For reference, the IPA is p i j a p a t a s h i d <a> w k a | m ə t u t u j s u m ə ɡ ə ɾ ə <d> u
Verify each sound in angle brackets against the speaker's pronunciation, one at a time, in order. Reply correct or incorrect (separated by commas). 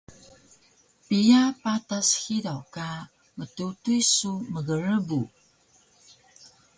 correct, incorrect